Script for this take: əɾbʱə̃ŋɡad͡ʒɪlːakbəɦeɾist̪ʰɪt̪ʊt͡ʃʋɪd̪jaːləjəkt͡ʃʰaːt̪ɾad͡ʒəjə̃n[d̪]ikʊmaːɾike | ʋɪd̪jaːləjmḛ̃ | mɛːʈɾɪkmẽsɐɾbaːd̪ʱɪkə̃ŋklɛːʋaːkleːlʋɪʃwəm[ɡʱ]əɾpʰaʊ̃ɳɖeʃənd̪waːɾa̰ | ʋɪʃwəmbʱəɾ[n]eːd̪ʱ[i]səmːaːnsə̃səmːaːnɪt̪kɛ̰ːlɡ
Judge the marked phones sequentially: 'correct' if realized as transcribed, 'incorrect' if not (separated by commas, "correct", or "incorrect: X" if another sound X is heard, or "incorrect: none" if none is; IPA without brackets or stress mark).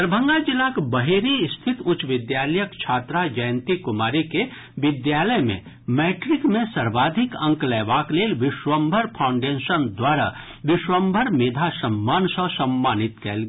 incorrect: t̪, incorrect: bʱ, incorrect: m, incorrect: a